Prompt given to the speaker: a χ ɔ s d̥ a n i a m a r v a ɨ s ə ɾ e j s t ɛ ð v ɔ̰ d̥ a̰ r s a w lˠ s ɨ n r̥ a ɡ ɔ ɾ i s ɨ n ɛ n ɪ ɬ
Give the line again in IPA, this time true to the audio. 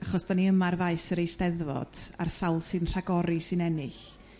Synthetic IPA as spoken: a χ ɔ s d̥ a n i ə m a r v a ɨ s ə ɾ e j s t ɛ ð v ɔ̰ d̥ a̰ r s a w lˠ s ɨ n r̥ a ɡ ɔ ɾ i s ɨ n ɛ n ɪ ɬ